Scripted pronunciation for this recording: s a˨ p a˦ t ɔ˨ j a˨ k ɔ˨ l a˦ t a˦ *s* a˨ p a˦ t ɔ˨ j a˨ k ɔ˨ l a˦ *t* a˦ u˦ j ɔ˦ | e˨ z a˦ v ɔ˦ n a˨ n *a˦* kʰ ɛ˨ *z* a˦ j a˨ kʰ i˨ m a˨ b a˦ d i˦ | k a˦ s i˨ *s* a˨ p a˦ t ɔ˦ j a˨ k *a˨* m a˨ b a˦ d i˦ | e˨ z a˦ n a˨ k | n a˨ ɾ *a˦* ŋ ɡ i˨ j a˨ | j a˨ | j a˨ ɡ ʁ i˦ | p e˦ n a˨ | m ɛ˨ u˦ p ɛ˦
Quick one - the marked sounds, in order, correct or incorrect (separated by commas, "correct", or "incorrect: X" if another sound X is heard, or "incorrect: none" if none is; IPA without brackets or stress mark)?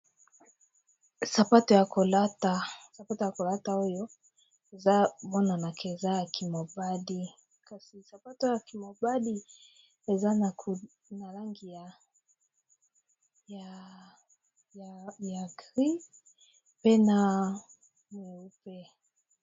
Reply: correct, correct, incorrect: a˨, correct, correct, incorrect: i˨, correct